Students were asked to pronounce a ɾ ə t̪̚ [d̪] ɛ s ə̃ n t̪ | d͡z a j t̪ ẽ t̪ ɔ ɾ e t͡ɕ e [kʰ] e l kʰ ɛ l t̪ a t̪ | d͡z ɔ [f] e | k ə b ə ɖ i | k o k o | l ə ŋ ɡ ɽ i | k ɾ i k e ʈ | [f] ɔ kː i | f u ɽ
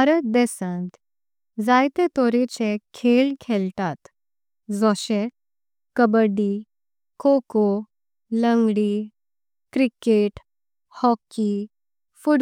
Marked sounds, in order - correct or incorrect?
correct, correct, incorrect: ɕ, incorrect: h

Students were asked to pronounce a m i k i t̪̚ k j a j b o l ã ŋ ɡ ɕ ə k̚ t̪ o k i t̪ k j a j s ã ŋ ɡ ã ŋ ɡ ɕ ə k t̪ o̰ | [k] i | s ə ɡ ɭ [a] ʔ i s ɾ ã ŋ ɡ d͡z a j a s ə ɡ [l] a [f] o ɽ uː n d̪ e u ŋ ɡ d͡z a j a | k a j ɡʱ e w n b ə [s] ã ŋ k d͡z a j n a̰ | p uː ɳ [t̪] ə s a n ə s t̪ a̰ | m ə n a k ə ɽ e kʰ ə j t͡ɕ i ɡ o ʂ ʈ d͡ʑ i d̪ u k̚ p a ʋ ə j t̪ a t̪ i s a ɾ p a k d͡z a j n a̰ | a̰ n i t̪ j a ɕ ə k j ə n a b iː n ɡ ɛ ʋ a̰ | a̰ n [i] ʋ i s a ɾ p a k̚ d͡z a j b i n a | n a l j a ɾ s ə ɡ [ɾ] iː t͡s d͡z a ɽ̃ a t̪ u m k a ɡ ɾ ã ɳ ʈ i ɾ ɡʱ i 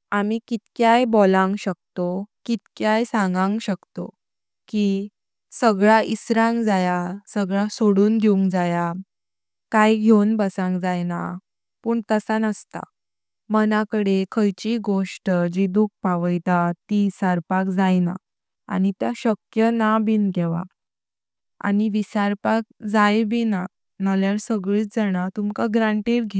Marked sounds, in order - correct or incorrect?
correct, correct, incorrect: ɭ, incorrect: s, correct, correct, correct, incorrect: ɭ

